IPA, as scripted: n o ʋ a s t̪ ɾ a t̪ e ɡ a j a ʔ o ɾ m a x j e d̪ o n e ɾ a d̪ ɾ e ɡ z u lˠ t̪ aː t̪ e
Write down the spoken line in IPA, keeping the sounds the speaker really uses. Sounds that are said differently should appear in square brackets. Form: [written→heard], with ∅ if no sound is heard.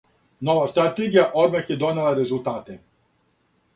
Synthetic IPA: n o ʋ a s t̪ ɾ a t̪ e ɡ [a→i] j a ʔ o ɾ m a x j e d̪ o n e [ɾ→l] a [d̪→∅] ɾ e [ɡ→∅] z u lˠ t̪ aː t̪ e